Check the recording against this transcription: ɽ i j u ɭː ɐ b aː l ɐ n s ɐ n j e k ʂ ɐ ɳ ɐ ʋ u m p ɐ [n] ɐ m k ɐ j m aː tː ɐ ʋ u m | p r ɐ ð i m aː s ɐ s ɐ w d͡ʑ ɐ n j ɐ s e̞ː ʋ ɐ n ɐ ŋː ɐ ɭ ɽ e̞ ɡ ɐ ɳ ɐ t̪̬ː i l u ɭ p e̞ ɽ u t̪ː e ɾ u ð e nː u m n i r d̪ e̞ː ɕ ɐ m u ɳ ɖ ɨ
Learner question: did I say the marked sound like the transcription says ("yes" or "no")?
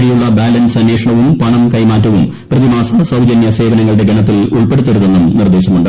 no